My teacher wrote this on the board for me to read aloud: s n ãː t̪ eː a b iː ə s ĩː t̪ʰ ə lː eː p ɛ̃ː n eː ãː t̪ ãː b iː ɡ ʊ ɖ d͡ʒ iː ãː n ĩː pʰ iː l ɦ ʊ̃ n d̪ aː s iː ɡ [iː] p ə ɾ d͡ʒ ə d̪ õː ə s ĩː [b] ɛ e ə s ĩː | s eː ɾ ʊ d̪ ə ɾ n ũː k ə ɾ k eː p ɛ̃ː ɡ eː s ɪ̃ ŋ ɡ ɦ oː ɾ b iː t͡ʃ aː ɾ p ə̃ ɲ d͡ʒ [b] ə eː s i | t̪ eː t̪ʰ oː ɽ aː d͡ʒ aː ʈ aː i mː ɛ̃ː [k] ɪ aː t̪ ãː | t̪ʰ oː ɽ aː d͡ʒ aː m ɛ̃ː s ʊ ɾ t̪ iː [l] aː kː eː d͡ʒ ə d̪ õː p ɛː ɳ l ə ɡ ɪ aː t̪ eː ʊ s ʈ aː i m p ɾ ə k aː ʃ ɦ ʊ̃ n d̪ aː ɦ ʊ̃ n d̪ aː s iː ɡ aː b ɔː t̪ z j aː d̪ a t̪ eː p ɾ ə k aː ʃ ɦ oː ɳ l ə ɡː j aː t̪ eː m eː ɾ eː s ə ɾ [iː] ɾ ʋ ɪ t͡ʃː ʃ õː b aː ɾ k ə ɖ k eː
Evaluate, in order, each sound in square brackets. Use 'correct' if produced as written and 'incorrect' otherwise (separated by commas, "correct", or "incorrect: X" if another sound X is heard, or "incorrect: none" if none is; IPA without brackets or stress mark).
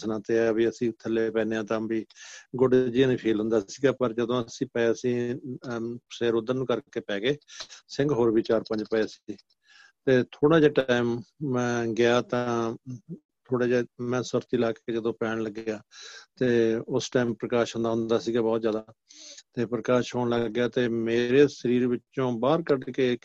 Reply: incorrect: aː, incorrect: p, incorrect: p, incorrect: ɡ, correct, correct